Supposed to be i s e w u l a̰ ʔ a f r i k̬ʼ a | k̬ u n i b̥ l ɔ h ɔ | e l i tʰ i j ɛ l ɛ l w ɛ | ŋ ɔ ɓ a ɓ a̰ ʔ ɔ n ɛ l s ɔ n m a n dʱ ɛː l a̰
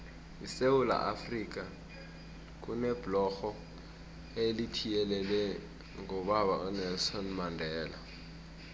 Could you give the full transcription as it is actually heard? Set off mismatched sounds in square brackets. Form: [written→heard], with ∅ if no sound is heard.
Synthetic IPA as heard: i s e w u l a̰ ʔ a f r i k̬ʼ a | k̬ u n [i→ɛ] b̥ l ɔ [h→x] ɔ | e l i tʰ i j ɛ l ɛ l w ɛ | ŋ ɔ ɓ a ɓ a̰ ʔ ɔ n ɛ l s ɔ n m a n dʱ ɛː l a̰